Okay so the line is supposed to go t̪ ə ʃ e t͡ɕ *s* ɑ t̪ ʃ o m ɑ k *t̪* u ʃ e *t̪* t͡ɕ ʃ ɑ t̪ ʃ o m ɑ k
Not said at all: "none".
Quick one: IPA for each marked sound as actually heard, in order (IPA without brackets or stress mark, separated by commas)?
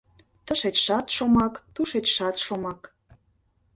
ʃ, t̪, none